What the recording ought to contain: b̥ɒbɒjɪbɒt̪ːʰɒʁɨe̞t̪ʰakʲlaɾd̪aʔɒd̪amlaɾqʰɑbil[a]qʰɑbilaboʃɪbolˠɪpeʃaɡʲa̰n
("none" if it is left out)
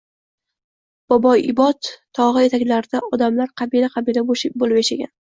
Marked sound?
a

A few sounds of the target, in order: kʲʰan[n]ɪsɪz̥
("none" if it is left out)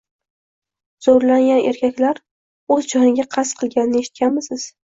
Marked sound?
m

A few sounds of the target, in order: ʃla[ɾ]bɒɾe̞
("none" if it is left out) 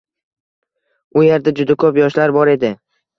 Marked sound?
ɾ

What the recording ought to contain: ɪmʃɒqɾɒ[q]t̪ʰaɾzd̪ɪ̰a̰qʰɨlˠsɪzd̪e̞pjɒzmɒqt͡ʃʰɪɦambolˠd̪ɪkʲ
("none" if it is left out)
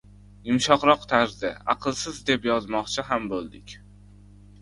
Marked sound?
q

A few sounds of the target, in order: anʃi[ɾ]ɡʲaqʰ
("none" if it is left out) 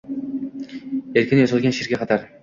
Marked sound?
ɾ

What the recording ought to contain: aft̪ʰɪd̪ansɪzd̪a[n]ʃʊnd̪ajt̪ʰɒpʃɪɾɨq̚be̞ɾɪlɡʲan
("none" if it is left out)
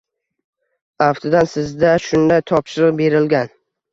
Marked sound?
none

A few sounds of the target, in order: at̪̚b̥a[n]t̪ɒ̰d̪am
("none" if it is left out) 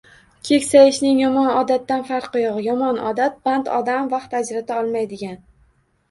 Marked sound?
n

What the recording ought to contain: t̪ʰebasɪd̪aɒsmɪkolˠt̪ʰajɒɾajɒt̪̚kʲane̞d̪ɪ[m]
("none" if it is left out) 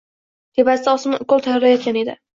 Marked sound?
none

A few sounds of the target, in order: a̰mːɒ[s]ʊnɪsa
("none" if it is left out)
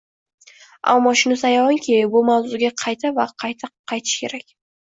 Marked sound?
ʃ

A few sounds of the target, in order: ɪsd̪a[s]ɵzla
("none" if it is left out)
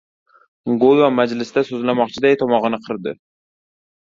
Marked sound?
s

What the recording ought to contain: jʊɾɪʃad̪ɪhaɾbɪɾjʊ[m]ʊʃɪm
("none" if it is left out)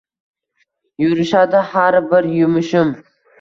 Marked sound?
m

